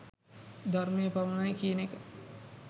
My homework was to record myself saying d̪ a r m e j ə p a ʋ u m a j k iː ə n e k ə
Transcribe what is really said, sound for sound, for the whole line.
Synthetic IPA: d̪ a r m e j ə p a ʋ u n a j k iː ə n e k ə